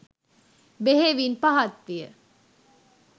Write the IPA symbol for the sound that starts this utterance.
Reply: b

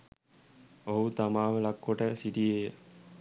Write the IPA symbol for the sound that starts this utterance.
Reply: o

